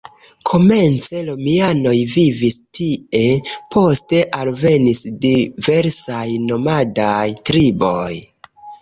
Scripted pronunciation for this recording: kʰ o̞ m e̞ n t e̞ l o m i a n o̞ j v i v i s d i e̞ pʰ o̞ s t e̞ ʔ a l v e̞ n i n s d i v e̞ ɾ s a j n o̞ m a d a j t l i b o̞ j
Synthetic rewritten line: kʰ o̞ m e̞ n t͡s e̞ l o m i a n o̞ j v i v i s t i e̞ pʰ o̞ s t e̞ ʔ a l v e̞ n i s d i v e̞ ɾ s a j n o̞ m a d a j t ɾ i b o̞ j